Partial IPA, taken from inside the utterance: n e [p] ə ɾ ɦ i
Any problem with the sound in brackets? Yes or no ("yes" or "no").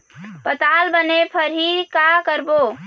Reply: yes